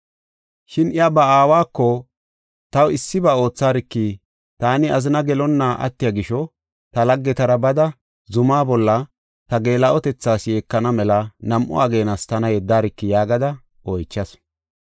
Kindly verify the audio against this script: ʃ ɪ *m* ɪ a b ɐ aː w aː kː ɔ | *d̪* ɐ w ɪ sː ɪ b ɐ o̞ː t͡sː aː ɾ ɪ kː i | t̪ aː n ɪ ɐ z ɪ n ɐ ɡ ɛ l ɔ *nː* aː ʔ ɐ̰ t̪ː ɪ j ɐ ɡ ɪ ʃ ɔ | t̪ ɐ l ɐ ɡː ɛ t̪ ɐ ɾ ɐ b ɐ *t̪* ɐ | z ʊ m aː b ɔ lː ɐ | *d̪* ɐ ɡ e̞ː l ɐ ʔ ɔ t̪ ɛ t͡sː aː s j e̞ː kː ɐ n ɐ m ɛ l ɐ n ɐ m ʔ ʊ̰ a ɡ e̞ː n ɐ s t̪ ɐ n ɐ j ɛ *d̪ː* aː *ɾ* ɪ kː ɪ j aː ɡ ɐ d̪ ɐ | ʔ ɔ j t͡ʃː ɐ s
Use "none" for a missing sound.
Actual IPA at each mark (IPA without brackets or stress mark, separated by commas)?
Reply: n, t̪, nː, d̪, t̪, d̪ː, ɾ